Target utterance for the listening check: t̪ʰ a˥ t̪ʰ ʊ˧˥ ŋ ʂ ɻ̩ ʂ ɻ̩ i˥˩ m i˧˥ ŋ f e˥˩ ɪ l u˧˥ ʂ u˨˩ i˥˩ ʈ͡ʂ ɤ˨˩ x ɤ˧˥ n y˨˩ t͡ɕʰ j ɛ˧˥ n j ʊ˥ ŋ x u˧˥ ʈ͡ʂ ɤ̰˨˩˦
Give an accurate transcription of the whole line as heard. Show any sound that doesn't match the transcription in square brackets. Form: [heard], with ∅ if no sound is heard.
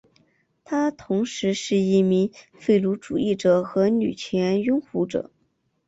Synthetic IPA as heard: t̪ʰ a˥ t̪ʰ ʊ˧˥ ŋ ʂ ɻ̩ ʂ ɻ̩ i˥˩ m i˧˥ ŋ f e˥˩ ɪ l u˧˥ [ʈ͡ʂ] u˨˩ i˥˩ ʈ͡ʂ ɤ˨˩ x ɤ˧˥ n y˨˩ t͡ɕʰ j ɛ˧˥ n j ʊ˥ ŋ x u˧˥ ʈ͡ʂ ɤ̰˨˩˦